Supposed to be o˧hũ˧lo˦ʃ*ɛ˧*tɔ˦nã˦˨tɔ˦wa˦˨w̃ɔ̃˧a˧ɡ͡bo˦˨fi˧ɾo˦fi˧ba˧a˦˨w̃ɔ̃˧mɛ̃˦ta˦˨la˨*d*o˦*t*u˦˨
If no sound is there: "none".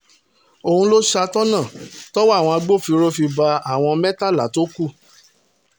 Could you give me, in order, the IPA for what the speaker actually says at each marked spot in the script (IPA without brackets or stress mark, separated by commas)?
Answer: a˧, t, k